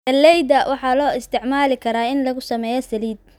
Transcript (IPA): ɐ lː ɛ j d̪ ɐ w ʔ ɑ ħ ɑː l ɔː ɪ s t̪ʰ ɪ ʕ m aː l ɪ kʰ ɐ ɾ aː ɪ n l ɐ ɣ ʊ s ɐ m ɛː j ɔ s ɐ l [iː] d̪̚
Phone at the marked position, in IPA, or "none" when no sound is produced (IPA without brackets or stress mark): iː